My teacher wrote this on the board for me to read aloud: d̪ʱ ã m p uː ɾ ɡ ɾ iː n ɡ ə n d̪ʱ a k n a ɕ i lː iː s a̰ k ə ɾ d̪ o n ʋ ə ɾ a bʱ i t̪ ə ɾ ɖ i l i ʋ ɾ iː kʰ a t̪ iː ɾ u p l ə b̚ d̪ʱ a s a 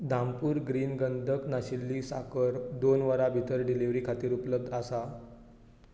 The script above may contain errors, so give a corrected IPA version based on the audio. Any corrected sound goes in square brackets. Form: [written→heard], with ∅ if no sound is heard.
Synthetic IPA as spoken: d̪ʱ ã m p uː ɾ ɡ ɾ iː n ɡ ə n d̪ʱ [a→ə] k n a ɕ i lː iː s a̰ k ə ɾ d̪ o n ʋ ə ɾ a bʱ i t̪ ə ɾ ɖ i l i ʋ ɾ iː kʰ a t̪ iː ɾ u p l ə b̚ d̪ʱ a s a